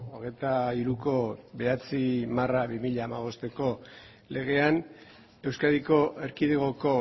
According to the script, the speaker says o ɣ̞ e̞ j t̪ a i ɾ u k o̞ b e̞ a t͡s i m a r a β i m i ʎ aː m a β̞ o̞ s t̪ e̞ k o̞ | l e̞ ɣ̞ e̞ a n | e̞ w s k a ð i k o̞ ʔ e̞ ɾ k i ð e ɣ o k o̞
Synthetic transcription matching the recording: o ɣ̞ e̞ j t̪ a i ɾ u k o̞ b e̞ a t͡s i m a r a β i m i ʎ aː m a β̞ o̞ s t̪ e̞ k o̞ | l e̞ ɣ̞ e̞ a n | e̞ w s k a ð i k o̞ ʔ e̞ ɾ k i ð e ɣ o k o̞

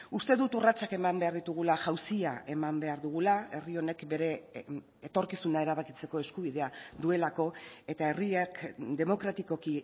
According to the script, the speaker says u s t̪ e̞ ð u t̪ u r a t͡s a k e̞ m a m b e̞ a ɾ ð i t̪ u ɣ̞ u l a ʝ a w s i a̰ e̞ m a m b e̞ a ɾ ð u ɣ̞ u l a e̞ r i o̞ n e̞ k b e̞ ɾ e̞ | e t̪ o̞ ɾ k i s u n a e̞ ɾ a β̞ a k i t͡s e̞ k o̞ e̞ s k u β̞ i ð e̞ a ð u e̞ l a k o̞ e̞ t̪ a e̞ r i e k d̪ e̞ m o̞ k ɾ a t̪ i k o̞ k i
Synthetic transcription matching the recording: u s t̪ e̞ ð u t̪ u r a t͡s a k e̞ m a m b e̞ a ɾ ð i t̪ u ɣ̞ u l a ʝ a w s i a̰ e̞ m a m b e̞ a ɾ ð u ɣ̞ u l a e̞ r i o̞ n e̞ k b e̞ ɾ e̞ | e t̪ o̞ ɾ k i s u n a e̞ ɾ a β̞ a k i t͡s e̞ k o̞ e̞ s k u β̞ i ð e̞ a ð u e̞ l a k o̞ e̞ t̪ a e̞ r i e k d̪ e̞ m o̞ k ɾ a t̪ i k o̞ k i

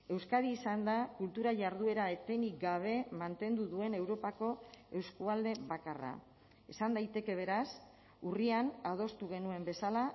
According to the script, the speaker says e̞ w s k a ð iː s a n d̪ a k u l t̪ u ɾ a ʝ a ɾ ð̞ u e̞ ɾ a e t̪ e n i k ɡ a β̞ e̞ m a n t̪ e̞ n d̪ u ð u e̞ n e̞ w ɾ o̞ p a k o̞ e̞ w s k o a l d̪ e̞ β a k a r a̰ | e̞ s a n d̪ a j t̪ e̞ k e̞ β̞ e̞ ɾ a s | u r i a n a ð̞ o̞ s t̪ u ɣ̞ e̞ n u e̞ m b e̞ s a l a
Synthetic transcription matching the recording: e̞ w s k a ð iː s a n d̪ a k u l t̪ u ɾ a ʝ a ɾ ð̞ u e̞ ɾ a e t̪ e n i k ɡ a β̞ e̞ m a n t̪ e̞ n d̪ u ð u e̞ n e̞ w ɾ o̞ p a k o̞ e̞ w s k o a l d̪ e̞ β a k a r a̰ | e̞ s a n d̪ a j t̪ e̞ k e̞ β̞ e̞ ɾ a s | u r i a n a ð̞ o̞ s t̪ u ɣ̞ e̞ n u e̞ m b e̞ s a l a

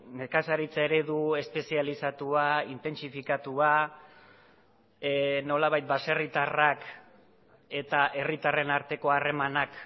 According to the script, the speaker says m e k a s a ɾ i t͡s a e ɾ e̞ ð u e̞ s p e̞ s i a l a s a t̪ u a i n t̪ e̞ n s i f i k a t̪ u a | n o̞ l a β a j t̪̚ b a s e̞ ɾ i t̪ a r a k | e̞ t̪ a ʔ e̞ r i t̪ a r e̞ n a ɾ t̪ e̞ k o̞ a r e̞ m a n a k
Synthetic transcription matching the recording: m e k a s a ɾ i t͡s a e ɾ e̞ ð u e̞ s p e̞ s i a l i s a t̪ u a i n t̪ e̞ n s i f i k a t̪ u a | n o̞ l a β a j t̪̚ b a s e̞ r i t̪ a r a k | e̞ t̪ a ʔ e̞ r i t̪ a r e̞ n a ɾ t̪ e̞ k o̞ a r e̞ m a n a k

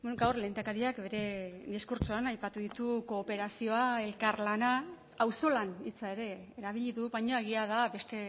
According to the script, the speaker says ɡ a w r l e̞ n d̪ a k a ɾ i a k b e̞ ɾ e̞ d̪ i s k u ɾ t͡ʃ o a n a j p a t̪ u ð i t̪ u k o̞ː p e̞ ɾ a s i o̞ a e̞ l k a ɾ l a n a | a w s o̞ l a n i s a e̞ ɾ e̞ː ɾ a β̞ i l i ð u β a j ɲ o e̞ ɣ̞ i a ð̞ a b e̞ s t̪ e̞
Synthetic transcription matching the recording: ɡ a w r l e̞ n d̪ a k a ɾ i a k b e̞ ɾ e̞ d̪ i s k u ɾ t͡ʃ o a n a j p a t̪ u ð i t̪ u k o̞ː p e̞ ɾ a s i o̞ a e̞ l k a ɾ l a n a | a w s o̞ l a n i t͡s a e̞ ɾ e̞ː ɾ a β̞ i ʎ i ð u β a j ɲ o e̞ ɣ̞ i a ð̞ a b e̞ s t̪ e̞

